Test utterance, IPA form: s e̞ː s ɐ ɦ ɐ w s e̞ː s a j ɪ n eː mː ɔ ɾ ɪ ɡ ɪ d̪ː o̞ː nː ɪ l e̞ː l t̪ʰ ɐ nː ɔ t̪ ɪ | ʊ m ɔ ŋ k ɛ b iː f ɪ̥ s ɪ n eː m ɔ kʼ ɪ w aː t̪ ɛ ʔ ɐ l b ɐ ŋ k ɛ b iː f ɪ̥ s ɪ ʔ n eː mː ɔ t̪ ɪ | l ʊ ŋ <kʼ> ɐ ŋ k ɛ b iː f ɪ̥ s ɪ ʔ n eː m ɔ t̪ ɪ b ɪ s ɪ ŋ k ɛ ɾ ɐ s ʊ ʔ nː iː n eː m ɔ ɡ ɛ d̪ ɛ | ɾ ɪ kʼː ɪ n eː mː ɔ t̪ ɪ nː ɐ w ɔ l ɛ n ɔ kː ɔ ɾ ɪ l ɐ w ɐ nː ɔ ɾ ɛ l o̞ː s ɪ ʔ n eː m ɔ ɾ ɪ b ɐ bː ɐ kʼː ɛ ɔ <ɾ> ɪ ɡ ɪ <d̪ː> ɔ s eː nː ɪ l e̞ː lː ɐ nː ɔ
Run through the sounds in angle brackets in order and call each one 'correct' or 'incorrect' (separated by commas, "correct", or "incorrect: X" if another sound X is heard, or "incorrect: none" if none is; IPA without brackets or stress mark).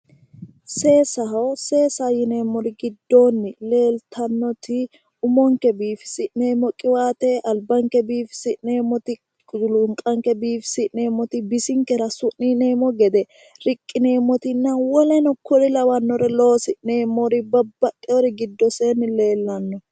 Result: correct, correct, correct